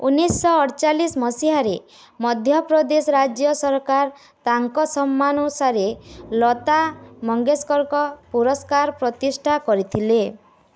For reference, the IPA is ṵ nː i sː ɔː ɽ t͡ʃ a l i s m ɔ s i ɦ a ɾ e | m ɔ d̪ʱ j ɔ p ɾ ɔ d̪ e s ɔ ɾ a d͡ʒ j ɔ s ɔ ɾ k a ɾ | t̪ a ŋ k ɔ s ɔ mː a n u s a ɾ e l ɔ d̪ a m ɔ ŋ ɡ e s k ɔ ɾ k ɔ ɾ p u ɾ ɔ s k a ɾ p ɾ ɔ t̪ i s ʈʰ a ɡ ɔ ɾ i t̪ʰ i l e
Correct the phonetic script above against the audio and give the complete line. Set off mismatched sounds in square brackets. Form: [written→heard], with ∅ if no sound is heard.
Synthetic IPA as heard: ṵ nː i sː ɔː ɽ t͡ʃ a l i s m ɔ s i ɦ a ɾ e | m ɔ d̪ʱ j ɔ p ɾ ɔ d̪ e s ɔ ɾ a d͡ʒ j ɔ s ɔ ɾ k a ɾ | t̪ a ŋ k ɔ s ɔ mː a n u s a ɾ e l ɔ [d̪→t̪] a m ɔ ŋ ɡ e s k ɔ ɾ k ɔ [ɾ→∅] p u ɾ ɔ s k a ɾ p ɾ ɔ t̪ i s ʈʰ a [ɡ→k] ɔ ɾ i t̪ʰ i l e